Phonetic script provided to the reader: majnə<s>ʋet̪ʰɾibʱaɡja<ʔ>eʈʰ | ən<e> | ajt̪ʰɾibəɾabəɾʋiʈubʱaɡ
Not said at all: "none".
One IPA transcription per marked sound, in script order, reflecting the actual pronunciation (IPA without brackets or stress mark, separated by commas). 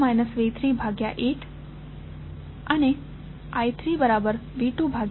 s, ʔ, e